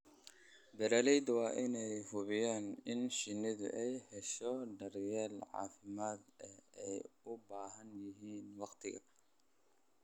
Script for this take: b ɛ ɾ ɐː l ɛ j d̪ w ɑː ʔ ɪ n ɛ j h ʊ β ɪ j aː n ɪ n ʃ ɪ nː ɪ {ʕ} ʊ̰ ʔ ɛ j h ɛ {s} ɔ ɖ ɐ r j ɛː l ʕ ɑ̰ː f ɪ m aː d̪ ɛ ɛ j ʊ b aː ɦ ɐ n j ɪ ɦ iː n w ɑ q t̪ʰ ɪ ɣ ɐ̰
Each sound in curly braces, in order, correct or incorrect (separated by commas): incorrect, incorrect